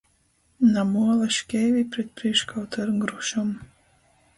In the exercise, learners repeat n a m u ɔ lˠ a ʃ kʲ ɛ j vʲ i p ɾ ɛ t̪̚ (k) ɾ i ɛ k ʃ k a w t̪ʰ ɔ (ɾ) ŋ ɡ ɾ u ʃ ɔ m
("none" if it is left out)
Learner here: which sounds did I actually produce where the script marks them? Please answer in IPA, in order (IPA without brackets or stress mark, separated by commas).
p, ɾ